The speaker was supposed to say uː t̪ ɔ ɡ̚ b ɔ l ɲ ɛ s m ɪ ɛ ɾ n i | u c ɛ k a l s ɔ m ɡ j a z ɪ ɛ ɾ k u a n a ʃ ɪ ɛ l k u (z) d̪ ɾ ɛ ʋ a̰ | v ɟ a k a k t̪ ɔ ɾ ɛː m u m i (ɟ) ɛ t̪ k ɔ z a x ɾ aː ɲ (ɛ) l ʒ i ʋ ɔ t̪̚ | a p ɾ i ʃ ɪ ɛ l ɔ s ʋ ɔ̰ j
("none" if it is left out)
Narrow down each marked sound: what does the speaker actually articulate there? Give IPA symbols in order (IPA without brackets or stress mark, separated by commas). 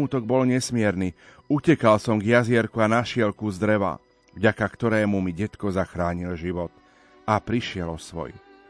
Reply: z, ɟ, i